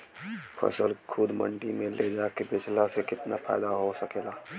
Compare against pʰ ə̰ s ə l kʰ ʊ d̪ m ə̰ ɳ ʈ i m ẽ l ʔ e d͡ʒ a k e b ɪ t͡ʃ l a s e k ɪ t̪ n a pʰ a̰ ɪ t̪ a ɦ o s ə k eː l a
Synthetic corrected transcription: pʰ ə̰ s ə l kʰ ʊ d̪ m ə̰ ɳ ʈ i m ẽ l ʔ e d͡ʒ a k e b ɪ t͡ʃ l a s e k ɪ t̪ n a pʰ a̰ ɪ d̪ a ɦ o s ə k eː l a